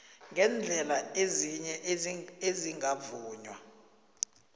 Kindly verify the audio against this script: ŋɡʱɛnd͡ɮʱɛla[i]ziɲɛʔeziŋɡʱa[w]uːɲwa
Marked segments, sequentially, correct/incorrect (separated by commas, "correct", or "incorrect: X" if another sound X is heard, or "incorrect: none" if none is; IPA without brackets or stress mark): incorrect: e, incorrect: v